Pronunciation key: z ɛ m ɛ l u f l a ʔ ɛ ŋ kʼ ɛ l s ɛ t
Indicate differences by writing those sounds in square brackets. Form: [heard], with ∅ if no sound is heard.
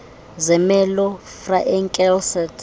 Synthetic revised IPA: z ɛ m ɛ l [ɔ] f [r] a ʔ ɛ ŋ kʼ ɛ l s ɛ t